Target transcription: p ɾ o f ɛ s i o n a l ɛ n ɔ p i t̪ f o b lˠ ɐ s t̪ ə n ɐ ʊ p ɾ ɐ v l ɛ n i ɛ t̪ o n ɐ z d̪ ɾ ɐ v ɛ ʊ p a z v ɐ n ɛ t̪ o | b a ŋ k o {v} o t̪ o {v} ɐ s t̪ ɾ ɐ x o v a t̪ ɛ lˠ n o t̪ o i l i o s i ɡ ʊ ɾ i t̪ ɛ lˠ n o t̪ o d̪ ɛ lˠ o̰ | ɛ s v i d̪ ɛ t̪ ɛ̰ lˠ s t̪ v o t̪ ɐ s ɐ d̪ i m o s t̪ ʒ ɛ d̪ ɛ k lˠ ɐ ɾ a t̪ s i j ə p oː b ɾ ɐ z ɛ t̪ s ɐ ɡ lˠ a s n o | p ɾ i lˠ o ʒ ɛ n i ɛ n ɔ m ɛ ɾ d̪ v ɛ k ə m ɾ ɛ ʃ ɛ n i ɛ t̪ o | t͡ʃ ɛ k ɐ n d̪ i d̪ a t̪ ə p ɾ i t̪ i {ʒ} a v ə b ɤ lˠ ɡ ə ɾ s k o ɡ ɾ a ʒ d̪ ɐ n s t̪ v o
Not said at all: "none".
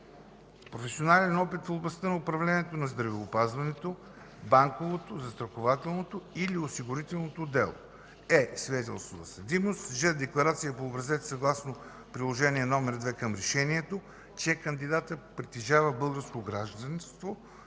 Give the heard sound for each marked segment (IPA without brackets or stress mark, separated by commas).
v, z, ʒ